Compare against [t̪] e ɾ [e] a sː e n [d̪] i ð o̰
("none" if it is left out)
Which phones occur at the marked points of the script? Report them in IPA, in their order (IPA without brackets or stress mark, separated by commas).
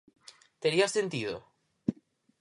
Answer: t̪, i, t̪